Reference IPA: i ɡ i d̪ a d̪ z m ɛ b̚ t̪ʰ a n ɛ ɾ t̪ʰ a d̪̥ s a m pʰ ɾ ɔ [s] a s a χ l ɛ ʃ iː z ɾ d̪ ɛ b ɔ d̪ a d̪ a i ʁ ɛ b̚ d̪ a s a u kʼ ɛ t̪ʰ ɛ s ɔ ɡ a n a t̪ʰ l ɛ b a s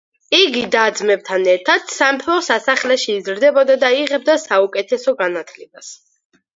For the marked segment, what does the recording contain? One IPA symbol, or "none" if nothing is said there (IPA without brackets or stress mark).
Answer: s